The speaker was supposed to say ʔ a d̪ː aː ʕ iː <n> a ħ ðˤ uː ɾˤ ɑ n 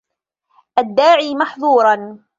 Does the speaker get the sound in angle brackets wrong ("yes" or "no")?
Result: yes